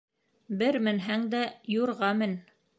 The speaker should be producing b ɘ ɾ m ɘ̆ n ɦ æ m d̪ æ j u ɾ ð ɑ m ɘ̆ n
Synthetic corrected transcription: b ɘ ɾ m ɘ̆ n ɦ æ ŋ d̪ æ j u ɾ ʁ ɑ m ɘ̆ n